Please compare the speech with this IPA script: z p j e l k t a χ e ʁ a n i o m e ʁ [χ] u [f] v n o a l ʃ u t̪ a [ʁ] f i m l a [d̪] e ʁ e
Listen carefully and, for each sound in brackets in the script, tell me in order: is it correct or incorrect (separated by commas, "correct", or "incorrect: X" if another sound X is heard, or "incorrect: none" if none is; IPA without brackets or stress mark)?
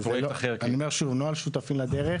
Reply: incorrect: ʃ, incorrect: none, incorrect: none, correct